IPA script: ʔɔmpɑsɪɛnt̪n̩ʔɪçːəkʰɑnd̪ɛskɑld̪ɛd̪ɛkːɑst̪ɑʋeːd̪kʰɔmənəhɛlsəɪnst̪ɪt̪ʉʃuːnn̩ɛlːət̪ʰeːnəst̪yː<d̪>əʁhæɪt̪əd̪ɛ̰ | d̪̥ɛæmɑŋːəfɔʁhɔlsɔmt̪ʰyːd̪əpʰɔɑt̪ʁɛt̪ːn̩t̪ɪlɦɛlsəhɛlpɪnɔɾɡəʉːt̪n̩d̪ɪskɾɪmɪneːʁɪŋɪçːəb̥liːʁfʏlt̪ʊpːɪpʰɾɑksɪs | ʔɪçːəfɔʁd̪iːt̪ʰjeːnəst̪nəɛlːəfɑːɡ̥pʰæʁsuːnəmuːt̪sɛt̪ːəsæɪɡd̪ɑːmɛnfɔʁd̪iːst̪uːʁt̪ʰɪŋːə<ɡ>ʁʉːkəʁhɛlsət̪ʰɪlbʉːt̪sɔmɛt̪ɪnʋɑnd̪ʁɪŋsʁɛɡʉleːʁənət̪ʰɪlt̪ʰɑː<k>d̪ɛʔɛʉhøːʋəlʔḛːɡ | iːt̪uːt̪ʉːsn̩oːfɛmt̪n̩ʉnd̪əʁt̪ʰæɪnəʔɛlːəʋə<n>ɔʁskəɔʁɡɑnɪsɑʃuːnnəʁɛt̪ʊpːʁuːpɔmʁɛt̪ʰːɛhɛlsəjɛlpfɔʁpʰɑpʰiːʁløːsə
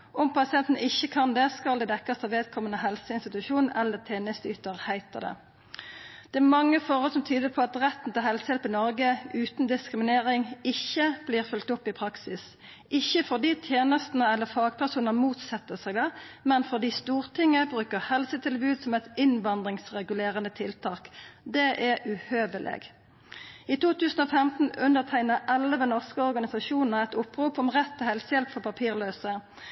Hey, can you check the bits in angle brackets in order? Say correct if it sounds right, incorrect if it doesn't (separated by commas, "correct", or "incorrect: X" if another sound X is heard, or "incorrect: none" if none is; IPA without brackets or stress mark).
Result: incorrect: t̪, incorrect: b, correct, correct